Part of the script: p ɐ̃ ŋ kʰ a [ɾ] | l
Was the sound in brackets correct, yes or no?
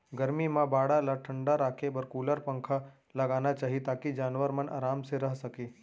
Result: no